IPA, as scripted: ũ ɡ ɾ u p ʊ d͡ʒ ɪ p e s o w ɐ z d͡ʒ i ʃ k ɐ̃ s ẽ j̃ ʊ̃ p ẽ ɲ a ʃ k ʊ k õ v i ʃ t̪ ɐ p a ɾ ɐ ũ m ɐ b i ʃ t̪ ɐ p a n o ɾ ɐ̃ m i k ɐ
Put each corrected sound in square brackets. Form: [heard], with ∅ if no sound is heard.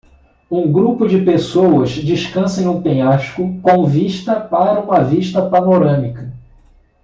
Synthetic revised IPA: ũ ɡ ɾ u p ʊ d͡ʒ ɪ p e s o w ɐ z d͡ʒ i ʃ k ɐ̃ s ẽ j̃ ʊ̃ p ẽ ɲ a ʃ k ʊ k õ v i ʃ t̪ ɐ p a ɾ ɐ ũ m ɐ [v] i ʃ t̪ ɐ p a n o ɾ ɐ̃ m i k ɐ